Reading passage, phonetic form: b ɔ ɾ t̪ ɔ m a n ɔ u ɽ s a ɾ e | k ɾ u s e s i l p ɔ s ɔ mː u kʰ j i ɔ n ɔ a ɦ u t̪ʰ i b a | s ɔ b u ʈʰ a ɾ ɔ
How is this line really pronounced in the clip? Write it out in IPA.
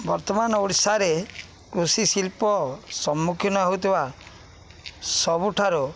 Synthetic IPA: b ɔ ɾ t̪ ɔ m a n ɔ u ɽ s a ɾ e | k ɾ u s i s i l p ɔ s ɔ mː u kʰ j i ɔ n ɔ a ɦ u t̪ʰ i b a | s ɔ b u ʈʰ a ɾ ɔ